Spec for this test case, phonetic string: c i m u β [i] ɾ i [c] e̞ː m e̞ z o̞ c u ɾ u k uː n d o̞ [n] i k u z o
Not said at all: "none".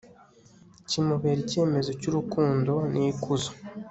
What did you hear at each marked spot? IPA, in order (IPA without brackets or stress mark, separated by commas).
e, c, n